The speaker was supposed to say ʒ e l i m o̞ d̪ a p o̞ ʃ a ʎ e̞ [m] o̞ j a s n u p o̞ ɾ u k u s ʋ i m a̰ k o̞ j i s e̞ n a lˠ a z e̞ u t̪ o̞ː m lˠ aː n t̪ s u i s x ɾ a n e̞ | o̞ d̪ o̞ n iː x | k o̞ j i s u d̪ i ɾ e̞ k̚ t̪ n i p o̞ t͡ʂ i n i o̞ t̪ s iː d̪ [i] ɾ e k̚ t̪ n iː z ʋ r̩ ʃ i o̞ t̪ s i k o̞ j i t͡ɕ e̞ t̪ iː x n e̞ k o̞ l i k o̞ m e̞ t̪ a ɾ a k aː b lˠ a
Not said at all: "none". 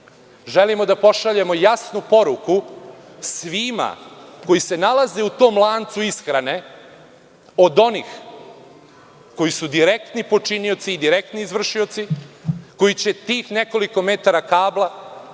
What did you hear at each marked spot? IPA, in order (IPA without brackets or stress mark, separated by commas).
m, i